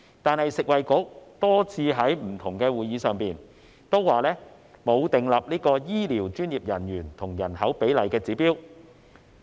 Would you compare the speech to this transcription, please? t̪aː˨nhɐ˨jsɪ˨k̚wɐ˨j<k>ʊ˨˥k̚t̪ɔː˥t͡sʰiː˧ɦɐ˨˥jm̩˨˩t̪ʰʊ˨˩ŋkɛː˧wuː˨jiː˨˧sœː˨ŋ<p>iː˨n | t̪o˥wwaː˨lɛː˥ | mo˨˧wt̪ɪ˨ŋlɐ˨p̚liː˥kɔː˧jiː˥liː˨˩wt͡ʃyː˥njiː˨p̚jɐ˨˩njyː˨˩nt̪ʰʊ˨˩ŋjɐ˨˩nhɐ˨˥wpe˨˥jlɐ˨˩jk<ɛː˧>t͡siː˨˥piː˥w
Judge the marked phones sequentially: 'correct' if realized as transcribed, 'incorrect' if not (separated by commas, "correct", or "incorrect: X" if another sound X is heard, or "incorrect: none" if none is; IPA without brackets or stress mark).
correct, correct, correct